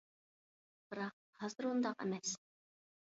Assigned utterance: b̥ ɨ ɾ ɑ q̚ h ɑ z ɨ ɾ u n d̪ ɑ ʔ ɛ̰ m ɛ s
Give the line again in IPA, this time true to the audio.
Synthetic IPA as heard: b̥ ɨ ɾ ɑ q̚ h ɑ z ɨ ɾ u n d̪ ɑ q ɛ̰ m ɛ s